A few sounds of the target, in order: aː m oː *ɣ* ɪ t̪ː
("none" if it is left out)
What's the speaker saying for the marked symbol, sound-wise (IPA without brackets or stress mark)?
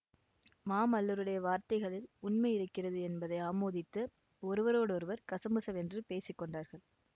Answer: ð